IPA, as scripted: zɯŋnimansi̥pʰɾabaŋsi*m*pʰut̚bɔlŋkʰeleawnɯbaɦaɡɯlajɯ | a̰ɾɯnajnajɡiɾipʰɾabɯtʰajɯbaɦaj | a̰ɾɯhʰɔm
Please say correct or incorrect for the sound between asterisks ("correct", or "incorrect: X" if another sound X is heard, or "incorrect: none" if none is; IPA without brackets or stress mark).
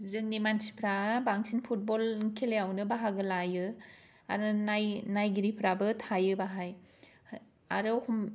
incorrect: n